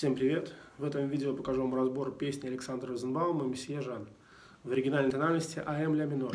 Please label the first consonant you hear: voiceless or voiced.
voiceless